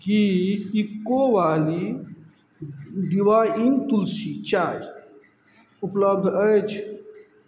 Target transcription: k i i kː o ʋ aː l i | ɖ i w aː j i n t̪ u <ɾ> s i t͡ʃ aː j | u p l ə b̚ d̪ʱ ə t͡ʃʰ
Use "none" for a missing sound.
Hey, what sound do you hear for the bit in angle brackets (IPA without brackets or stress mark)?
l